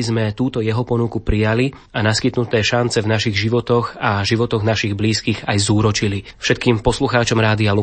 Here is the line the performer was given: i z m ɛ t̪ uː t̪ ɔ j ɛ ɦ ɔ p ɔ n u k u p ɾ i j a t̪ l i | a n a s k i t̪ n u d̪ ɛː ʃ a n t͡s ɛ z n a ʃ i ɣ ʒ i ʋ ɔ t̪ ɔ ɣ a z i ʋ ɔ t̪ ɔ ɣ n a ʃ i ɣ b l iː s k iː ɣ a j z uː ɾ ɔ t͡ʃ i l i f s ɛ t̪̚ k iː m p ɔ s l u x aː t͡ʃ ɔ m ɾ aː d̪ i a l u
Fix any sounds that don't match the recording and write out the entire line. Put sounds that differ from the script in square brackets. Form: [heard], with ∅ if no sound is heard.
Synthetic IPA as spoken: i z m ɛ t̪ uː t̪ ɔ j ɛ ɦ ɔ p ɔ n u k u p ɾ i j a [∅] l i | a n a s k i t̪ n u [t̪] ɛː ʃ a n t͡s ɛ [v] n a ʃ i ɣ ʒ i ʋ ɔ t̪ ɔ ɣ a [ʒ] i ʋ ɔ t̪ ɔ ɣ n a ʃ i ɣ b l iː s k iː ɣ a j z uː ɾ ɔ t͡ʃ i l i f [ʃ] ɛ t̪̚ k iː m p ɔ s l u x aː t͡ʃ ɔ m ɾ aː d̪ i a l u